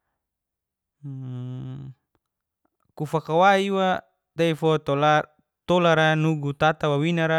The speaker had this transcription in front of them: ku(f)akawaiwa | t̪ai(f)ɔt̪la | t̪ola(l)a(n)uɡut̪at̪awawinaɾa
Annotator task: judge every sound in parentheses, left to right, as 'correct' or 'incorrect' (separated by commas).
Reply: correct, correct, incorrect, correct